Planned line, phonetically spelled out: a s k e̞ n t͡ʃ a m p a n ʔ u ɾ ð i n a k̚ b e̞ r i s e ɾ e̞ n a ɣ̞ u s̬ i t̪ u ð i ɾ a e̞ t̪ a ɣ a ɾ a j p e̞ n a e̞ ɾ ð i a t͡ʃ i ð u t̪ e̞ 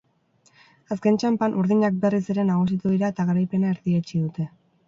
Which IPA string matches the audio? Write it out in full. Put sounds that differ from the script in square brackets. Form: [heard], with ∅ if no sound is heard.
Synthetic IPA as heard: a s k e̞ n t͡ʃ a m p a n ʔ u ɾ ð i [ɲ] a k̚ b e̞ r i s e ɾ e̞ n a ɣ̞ u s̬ i t̪ u ð i ɾ a e̞ t̪ a ɣ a ɾ a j p e̞ n a e̞ ɾ ð i [e] t͡ʃ i ð u t̪ e̞